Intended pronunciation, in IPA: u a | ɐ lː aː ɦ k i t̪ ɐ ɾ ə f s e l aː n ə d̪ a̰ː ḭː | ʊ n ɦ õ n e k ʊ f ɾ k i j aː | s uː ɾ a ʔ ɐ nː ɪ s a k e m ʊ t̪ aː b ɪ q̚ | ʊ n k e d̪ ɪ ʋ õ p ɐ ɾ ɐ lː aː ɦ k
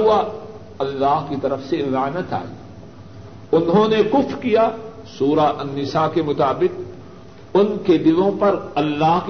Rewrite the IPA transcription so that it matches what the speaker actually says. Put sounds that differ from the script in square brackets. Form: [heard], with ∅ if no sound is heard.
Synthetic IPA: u a | ɐ lː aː ɦ k i t̪ ɐ ɾ ə f s e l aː n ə [t̪] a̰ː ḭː | ʊ n ɦ õ n e k ʊ f ɾ k i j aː | s uː ɾ a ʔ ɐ nː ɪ s a k e m ʊ t̪ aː b ɪ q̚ | ʊ n k e d̪ ɪ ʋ õ p ɐ ɾ ɐ lː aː ɦ k